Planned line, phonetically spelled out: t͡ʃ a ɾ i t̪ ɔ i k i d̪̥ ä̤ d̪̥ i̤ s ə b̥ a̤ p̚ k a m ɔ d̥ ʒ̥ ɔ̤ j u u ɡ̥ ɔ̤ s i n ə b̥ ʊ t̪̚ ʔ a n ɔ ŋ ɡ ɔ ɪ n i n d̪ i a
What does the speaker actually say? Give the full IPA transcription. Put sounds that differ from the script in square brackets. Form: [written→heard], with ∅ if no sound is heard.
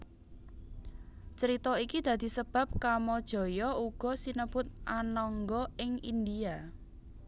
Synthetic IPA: t͡ʃ [a→ə] ɾ i t̪ ɔ i k i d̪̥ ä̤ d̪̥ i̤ s ə b̥ a̤ p̚ k a m ɔ d̥ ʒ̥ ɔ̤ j [u→ɔ] u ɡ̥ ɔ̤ s i n ə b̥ ʊ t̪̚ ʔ a n ɔ ŋ ɡ ɔ ɪ [n→ŋ] i n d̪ i a